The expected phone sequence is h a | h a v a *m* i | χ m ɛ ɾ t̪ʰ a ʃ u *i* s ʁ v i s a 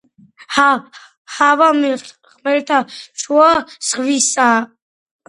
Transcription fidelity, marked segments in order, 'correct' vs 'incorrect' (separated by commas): correct, incorrect